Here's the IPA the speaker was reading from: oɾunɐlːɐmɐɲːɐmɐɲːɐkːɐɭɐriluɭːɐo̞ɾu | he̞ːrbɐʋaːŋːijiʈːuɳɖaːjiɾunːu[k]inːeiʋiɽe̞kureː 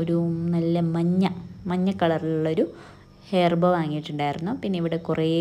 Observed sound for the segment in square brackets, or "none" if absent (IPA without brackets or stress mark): p